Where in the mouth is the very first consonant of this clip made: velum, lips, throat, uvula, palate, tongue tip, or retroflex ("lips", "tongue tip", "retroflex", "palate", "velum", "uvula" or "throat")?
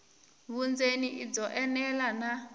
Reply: lips